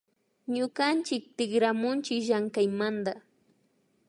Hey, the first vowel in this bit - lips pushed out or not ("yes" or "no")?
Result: yes